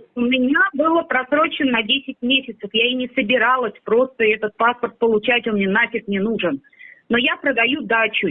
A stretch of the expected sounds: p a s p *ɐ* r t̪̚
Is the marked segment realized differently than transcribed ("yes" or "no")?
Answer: yes